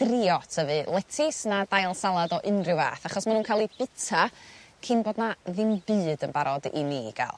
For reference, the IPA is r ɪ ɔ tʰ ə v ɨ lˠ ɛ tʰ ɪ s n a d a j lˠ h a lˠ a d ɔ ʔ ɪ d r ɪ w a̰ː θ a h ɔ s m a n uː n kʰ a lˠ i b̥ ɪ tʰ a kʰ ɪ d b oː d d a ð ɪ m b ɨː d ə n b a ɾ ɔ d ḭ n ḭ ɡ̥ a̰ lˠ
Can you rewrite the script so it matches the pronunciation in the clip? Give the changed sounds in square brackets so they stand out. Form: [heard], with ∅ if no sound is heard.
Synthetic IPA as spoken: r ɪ ɔ tʰ ə v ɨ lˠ ɛ tʰ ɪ s n a d a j lˠ [s] a lˠ a d ɔ ʔ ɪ [n] r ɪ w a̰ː θ a [χ] ɔ s m a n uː n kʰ a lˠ i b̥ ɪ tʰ a kʰ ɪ [n] b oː d [n] a ð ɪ m b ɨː d ə n b a ɾ ɔ d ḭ n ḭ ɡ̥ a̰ lˠ